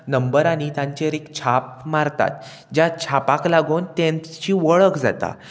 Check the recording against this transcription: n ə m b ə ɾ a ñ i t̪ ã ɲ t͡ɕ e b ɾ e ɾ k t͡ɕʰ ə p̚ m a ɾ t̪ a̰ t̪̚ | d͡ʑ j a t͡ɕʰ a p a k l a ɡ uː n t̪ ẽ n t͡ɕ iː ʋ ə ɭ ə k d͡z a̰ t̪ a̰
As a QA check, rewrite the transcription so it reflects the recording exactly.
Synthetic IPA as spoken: n ə m b ə ɾ a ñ i t̪ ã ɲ t͡ɕ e ɾ e k t͡ɕʰ a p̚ m a ɾ t̪ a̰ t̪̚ | d͡ʑ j a t͡ɕʰ a p a k l a ɡ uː n t̪ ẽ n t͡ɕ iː ʋ ə ɭ ə k d͡z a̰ t̪ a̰